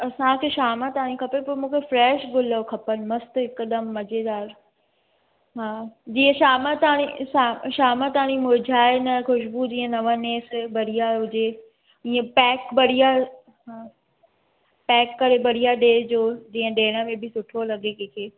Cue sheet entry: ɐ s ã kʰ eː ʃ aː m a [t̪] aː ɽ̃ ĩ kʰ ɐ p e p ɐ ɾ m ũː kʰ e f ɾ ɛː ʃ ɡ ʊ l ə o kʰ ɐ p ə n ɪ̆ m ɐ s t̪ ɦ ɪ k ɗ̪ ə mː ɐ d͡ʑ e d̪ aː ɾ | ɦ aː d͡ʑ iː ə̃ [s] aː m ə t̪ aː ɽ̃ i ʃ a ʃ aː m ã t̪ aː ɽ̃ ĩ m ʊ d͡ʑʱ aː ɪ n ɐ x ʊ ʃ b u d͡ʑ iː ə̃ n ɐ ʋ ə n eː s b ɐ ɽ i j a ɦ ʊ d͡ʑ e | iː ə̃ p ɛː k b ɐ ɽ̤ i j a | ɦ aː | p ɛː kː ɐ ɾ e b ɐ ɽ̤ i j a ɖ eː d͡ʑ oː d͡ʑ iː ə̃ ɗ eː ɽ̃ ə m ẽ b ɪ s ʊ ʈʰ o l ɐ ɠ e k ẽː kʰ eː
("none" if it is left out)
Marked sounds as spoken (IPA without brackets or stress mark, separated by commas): t̪, ʃ